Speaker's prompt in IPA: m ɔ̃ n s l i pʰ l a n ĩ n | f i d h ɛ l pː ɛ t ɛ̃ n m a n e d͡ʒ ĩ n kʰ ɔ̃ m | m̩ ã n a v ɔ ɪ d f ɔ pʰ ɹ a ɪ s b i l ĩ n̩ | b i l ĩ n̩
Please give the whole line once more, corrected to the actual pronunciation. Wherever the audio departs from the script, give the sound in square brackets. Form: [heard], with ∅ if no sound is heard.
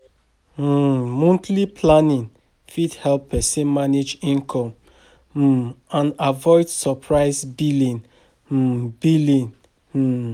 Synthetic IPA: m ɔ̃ n [t] l i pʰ l a n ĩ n | f i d h ɛ l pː ɛ [s] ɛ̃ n m a n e d͡ʒ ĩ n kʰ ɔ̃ m | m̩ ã n a v ɔ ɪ d [s] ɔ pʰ ɹ a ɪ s b i l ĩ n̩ | b i l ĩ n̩